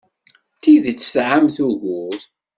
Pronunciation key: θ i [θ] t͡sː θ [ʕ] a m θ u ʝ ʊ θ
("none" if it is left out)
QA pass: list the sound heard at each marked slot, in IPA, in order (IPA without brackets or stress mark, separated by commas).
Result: ð, ʕ